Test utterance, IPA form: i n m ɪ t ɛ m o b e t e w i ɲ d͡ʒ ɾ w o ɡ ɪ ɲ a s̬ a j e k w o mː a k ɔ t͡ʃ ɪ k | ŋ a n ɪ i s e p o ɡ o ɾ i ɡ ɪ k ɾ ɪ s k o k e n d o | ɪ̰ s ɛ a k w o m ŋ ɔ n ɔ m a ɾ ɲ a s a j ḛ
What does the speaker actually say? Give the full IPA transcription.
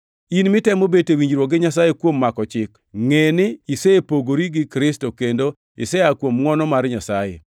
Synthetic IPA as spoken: i n m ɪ t ɛ m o b e t e w i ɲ d͡ʒ ɾ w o ɡ ɪ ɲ a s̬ a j e k w o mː a k ɔ t͡ʃ ɪ k | ŋ e n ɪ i s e p o ɡ o ɾ i ɡ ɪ k ɾ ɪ s t o k e n d o | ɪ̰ s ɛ a k w o m ŋ ɔ n ɔ m a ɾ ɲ a s a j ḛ